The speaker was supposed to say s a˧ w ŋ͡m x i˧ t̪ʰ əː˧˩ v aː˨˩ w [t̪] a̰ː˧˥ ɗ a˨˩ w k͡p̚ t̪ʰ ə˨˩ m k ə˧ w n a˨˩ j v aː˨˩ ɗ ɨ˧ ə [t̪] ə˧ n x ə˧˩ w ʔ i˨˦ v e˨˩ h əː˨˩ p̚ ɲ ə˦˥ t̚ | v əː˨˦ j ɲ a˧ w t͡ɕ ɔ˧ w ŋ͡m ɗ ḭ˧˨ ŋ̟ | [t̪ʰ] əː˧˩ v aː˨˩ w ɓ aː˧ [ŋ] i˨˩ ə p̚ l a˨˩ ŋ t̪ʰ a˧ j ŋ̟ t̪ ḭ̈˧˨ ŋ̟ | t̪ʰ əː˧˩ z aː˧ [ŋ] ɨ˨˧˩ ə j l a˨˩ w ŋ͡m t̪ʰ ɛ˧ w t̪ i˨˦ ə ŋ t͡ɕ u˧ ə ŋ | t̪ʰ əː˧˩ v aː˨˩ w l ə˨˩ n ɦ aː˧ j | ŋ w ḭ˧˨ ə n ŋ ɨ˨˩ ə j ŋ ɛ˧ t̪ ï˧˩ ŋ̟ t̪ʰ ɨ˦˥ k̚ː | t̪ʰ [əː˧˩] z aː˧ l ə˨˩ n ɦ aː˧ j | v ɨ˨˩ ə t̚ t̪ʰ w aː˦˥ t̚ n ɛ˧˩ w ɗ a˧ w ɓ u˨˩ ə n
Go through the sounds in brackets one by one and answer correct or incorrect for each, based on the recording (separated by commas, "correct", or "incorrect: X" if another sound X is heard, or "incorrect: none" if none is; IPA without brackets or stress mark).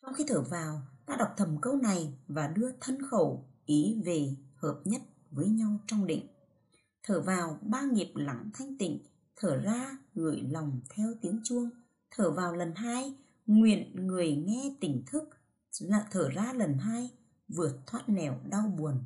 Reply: correct, incorrect: t̪ʰ, correct, correct, correct, correct